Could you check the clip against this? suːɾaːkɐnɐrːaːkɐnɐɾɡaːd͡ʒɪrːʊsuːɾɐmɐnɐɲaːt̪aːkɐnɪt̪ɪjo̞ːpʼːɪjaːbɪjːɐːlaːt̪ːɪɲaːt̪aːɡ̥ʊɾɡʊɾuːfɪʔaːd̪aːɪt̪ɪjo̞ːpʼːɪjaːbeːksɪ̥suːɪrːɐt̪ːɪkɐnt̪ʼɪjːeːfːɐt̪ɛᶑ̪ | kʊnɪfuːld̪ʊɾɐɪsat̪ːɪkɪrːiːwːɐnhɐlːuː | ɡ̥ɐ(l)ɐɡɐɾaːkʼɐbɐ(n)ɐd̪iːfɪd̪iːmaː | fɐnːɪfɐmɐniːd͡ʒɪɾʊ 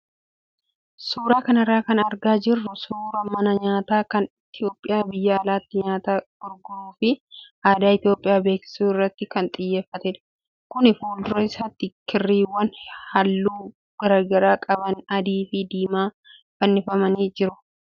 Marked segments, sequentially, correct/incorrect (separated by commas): incorrect, correct